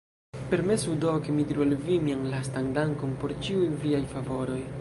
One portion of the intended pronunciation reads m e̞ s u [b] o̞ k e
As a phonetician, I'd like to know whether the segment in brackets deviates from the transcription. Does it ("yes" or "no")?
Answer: yes